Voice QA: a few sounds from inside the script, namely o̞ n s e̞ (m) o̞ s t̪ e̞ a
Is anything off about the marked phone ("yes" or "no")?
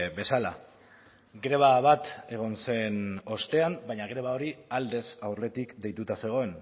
yes